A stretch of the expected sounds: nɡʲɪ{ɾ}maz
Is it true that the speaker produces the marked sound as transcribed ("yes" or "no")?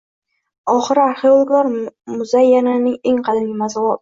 no